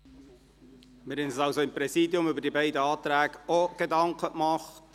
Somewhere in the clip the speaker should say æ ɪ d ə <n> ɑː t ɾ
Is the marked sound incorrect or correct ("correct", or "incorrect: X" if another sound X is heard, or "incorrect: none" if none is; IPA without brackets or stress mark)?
incorrect: none